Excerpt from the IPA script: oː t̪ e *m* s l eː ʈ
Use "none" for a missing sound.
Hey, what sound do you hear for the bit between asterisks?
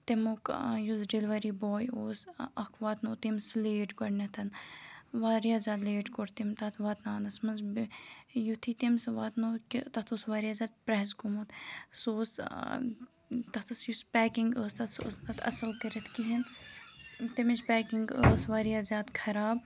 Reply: m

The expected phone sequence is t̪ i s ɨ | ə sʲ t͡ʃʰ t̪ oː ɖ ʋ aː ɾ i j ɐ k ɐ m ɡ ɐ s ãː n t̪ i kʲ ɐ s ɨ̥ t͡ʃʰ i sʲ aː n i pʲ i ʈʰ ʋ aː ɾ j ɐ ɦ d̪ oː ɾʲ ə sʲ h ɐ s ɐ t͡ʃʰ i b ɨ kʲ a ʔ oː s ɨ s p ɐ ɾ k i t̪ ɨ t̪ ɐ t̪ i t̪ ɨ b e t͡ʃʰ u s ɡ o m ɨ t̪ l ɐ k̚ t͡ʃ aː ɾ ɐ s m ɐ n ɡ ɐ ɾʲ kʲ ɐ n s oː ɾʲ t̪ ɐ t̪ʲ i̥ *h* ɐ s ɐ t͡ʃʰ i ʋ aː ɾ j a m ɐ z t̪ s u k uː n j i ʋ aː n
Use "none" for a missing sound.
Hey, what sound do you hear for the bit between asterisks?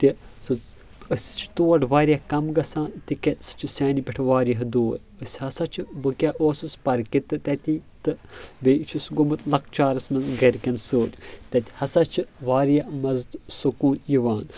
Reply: h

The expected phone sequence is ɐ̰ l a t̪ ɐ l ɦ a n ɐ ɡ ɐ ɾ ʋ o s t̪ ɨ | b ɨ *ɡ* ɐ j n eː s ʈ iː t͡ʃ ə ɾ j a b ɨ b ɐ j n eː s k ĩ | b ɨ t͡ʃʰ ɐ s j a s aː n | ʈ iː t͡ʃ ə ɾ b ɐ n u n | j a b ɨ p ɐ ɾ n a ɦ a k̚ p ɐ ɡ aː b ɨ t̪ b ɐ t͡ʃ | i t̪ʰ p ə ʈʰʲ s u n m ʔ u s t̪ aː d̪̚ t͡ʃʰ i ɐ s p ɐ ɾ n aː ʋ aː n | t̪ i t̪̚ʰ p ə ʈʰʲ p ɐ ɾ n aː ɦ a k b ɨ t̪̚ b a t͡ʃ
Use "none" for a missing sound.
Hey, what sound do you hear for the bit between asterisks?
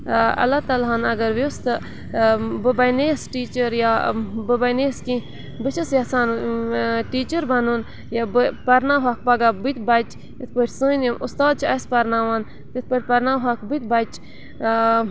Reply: b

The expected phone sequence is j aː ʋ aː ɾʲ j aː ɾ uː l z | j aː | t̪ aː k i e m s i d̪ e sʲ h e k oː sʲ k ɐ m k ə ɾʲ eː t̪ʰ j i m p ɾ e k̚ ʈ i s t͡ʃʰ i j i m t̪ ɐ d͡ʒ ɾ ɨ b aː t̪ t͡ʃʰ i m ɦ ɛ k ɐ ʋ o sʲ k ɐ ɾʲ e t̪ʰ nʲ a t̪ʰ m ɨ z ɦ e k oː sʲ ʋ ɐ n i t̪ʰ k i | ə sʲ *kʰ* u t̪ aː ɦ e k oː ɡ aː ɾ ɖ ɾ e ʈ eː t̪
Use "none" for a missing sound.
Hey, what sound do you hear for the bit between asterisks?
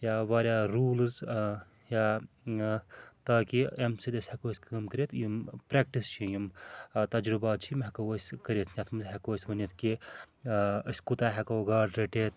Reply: k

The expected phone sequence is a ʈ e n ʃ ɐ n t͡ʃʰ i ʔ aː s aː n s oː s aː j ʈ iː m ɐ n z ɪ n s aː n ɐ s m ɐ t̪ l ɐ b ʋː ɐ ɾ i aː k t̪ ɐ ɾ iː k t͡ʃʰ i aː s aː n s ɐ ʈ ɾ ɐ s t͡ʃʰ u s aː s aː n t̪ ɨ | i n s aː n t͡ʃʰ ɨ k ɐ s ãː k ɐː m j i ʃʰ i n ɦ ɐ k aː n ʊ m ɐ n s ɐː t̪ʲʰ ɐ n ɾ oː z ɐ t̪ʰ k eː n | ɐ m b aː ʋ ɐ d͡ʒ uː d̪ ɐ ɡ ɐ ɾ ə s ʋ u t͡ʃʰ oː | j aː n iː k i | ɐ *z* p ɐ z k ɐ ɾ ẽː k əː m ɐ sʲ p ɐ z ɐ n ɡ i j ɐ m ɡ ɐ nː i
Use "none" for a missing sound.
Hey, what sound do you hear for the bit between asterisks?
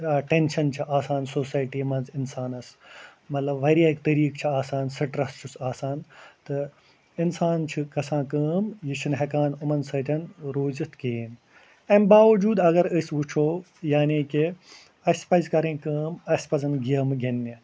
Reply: s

